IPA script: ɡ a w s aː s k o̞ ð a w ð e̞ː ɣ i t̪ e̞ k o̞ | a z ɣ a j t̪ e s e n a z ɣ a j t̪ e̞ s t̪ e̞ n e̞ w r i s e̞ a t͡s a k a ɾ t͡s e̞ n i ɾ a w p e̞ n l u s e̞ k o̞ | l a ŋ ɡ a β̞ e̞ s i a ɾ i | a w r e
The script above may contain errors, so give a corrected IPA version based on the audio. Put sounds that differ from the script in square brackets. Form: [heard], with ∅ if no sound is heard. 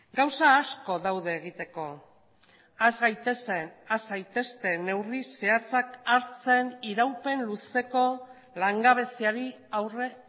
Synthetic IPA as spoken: ɡ a w s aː s k o̞ ð a w ð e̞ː ɣ i t̪ e̞ k o̞ | a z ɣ a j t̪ e s e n a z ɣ a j t̪ e̞ s t̪ e̞ n e̞ w r i s e̞ a t͡s a k a ɾ t͡s e̞ n i ɾ a w p e̞ n l u s e̞ k o̞ | l a ŋ ɡ a β̞ e̞ s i a ɾ i | a w r e